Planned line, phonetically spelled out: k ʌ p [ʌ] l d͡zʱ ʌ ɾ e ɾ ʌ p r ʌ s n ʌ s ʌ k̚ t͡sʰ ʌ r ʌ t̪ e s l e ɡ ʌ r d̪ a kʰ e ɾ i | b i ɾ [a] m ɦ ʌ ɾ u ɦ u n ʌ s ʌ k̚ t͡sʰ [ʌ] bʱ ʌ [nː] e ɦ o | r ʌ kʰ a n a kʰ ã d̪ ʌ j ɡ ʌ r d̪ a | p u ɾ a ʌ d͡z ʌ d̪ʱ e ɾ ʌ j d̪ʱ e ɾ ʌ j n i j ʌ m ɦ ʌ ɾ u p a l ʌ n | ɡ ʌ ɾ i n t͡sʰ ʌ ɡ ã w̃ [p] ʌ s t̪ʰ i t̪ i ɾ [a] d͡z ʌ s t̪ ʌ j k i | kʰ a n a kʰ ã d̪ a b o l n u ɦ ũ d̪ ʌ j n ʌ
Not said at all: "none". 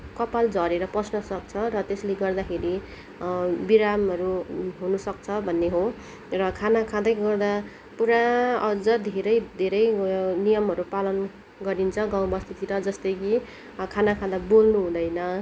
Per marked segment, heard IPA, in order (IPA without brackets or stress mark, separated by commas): a, a, ʌ, nː, b, ʌ